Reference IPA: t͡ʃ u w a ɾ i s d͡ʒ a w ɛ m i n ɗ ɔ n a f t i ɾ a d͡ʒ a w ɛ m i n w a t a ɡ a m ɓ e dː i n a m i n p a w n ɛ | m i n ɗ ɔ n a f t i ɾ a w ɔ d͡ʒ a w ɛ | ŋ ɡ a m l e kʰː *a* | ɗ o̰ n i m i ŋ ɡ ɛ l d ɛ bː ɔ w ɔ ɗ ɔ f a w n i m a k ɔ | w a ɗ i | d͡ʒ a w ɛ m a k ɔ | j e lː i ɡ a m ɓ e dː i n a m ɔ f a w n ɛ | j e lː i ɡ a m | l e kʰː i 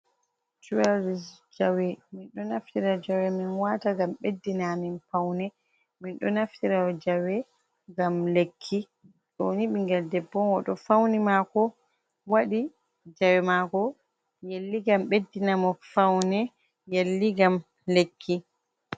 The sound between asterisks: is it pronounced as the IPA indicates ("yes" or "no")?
no